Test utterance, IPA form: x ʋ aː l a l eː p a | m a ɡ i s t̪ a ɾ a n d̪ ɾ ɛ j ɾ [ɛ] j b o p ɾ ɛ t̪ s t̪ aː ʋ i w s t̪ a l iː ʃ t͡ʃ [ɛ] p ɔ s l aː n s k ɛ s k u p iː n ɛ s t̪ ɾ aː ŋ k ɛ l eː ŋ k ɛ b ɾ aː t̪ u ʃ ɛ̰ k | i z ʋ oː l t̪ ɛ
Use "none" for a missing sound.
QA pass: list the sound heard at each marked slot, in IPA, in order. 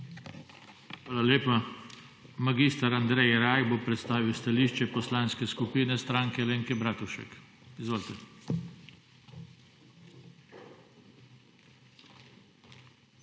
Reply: a, ɛ

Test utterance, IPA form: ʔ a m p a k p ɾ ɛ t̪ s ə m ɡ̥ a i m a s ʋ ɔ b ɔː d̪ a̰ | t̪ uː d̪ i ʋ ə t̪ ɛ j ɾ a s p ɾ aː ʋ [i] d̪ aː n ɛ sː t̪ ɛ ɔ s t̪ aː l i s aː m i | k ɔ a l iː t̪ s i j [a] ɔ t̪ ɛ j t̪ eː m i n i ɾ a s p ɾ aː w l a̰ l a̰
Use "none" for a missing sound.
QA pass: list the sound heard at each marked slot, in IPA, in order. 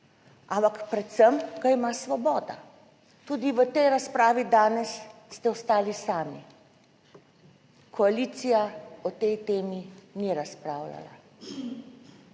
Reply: i, a

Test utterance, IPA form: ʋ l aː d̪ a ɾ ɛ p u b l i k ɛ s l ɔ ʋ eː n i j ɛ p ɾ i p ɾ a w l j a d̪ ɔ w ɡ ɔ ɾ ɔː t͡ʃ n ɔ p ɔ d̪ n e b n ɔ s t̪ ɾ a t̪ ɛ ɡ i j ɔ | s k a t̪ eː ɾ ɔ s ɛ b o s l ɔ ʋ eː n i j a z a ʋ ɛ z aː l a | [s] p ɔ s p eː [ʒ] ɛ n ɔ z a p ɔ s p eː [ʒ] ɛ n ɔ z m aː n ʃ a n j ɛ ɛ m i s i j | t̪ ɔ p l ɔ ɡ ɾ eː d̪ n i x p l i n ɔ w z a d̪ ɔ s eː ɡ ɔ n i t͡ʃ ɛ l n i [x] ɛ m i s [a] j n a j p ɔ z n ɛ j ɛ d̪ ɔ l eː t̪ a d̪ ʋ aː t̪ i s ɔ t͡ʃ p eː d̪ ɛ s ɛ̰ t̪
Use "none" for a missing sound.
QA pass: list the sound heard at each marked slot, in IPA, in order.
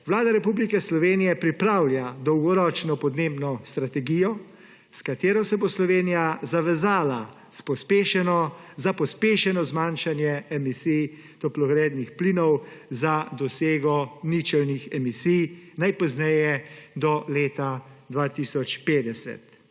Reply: s, ʃ, ʃ, x, i

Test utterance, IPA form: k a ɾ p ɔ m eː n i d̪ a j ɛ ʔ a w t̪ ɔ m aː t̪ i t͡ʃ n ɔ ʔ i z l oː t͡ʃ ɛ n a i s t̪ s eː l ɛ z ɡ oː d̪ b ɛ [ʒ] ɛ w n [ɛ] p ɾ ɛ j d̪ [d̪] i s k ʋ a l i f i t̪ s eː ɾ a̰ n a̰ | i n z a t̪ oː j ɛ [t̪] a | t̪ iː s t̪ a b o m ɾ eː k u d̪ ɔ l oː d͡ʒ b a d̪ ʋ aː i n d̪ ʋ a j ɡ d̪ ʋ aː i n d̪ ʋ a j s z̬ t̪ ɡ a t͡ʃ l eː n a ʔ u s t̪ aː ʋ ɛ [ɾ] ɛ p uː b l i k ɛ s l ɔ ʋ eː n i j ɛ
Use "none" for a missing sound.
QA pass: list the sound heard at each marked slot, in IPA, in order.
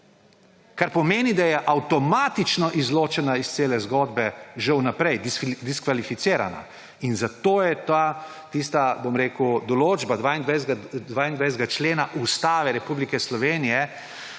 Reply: ʒ, a, d̪, t̪, ɾ

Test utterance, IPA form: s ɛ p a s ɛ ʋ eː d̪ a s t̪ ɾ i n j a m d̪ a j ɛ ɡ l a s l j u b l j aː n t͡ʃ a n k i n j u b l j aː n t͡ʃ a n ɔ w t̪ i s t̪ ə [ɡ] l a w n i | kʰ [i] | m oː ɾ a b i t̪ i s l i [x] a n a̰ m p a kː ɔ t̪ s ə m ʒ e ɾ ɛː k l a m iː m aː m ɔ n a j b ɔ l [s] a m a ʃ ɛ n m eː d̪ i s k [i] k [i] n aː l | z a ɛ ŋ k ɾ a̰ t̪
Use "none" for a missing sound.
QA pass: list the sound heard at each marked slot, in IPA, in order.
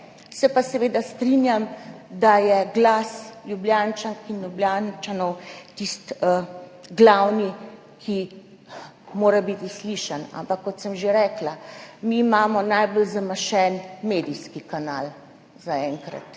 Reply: ɡ, i, ʃ, z, i, a

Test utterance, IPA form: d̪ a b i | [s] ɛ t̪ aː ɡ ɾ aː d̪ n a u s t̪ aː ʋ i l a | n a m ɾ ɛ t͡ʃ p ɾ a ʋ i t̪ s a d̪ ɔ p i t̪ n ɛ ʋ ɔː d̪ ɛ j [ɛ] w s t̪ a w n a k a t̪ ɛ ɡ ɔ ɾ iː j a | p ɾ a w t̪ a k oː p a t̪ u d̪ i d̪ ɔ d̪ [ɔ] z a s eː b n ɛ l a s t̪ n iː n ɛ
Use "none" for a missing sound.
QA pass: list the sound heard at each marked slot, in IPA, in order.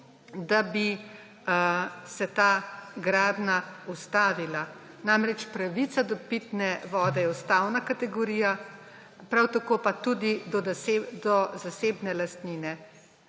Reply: s, ɛ, ɔ

